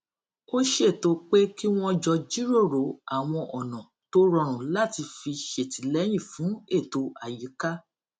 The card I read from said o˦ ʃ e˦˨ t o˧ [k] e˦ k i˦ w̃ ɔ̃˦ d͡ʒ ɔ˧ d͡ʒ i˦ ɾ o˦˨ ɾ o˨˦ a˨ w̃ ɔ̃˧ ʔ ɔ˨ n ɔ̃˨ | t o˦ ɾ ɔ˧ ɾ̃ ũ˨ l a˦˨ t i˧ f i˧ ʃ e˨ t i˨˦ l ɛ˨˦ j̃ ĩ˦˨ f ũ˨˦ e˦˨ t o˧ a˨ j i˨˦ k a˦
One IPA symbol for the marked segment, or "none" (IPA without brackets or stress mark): k͡p